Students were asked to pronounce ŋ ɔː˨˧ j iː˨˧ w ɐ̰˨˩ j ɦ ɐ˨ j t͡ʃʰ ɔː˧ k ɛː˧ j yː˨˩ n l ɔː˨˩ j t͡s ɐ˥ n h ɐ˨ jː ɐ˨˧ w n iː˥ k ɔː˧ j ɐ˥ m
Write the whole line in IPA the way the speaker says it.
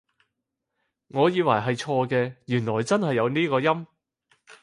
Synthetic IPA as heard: ŋ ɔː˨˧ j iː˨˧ w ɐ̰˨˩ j ɦ ɐ˨ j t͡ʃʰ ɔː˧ k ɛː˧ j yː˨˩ n l ɔː˨˩ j t͡s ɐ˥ n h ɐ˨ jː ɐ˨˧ w n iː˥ k ɔː˧ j ɐ˥ m